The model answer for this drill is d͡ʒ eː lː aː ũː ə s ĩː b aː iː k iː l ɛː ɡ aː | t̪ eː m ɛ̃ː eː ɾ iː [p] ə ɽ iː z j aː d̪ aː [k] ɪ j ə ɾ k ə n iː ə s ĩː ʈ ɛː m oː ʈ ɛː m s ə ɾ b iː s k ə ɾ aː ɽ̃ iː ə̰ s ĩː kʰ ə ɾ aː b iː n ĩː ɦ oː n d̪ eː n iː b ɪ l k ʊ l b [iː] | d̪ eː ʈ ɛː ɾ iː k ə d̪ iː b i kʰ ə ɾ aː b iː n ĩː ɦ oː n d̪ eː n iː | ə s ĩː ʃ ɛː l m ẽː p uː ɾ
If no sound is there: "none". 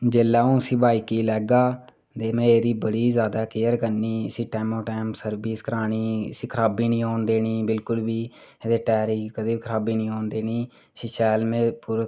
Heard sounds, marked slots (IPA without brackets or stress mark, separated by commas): b, k, iː